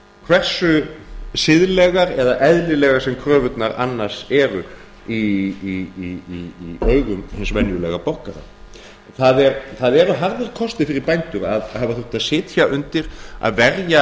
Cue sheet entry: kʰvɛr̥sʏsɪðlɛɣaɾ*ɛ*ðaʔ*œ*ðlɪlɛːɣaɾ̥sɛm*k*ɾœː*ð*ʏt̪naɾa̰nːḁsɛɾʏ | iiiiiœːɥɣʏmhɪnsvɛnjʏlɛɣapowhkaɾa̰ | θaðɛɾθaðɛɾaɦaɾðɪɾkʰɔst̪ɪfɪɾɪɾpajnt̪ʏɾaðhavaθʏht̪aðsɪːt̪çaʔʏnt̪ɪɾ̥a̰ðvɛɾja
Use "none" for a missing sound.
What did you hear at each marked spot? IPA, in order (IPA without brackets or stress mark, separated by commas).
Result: ɛ, ɛ, kʰ, v